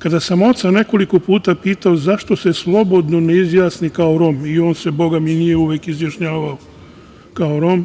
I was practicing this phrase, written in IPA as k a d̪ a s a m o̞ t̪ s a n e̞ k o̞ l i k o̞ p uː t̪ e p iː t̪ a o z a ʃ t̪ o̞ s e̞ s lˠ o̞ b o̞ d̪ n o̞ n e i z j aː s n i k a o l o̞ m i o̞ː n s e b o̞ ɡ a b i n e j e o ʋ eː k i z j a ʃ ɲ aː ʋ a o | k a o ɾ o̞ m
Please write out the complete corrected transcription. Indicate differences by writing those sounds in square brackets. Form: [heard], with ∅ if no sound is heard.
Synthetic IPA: k a d̪ a s a m o̞ t̪ s a n e̞ k o̞ l i k o̞ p uː t̪ [a] p iː t̪ a o z a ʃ t̪ o̞ s e̞ s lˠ o̞ b o̞ d̪ n o̞ n e i z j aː s n i k a o [ɾ] o̞ m i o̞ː n s e b o̞ ɡ a [m] i n [i] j e [u] ʋ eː k i z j a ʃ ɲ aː ʋ a o | k a o ɾ o̞ m

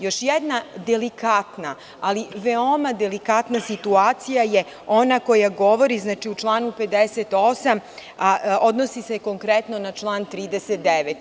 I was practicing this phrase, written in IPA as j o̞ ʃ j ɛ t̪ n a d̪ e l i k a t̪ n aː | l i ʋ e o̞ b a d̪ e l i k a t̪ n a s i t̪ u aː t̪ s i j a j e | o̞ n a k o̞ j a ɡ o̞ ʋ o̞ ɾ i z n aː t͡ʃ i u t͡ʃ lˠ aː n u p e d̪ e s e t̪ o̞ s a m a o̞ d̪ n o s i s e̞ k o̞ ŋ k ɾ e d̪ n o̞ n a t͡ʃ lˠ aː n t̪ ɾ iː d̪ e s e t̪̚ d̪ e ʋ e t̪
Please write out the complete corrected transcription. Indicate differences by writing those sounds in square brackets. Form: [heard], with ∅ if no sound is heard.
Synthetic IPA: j o̞ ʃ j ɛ [d̪] n a d̪ e l i k a t̪ n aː | l i ʋ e o̞ [m] a d̪ e l i k a t̪ n a s i t̪ u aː t̪ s i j a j e | o̞ n a k o̞ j a ɡ o̞ ʋ o̞ ɾ i z n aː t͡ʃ i u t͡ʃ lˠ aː n u p e d̪ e s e t̪ o̞ s a m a o̞ d̪ n o s i s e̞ k o̞ ŋ k ɾ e [t̪] n o̞ n a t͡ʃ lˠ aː n t̪ ɾ iː d̪ e s e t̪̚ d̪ e ʋ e t̪

